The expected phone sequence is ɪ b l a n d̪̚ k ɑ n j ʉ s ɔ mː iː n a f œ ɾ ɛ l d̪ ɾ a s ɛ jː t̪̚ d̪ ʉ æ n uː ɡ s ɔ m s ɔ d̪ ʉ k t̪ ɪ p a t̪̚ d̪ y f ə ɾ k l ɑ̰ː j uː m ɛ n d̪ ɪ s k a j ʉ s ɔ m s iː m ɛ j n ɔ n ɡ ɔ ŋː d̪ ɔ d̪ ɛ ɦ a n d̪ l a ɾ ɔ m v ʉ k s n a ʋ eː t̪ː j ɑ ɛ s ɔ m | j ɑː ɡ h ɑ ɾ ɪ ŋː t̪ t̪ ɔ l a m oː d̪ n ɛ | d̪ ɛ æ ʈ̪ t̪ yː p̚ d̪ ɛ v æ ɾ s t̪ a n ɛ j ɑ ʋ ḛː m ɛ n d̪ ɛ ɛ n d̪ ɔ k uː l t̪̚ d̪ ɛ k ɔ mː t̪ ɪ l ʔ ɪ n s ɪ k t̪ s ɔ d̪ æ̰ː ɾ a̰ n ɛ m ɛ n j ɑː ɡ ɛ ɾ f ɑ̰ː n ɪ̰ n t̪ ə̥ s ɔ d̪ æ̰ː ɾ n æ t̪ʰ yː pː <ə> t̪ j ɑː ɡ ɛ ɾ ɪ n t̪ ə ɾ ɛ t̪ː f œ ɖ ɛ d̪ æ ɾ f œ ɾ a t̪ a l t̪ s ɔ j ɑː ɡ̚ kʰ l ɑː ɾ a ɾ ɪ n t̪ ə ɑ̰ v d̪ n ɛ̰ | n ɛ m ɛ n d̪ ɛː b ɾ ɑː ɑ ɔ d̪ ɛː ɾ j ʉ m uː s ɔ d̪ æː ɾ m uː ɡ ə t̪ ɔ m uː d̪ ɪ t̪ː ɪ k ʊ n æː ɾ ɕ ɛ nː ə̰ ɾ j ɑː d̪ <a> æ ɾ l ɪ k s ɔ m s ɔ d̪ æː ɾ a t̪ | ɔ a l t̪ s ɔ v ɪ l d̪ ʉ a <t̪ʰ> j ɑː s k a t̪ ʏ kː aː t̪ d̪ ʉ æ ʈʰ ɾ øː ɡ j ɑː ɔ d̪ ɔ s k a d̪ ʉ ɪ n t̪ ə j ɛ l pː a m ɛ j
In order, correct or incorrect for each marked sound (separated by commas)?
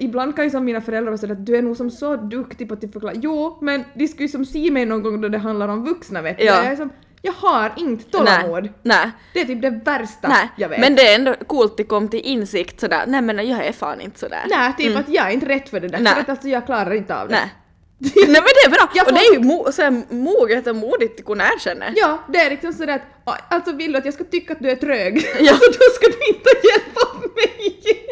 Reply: incorrect, incorrect, incorrect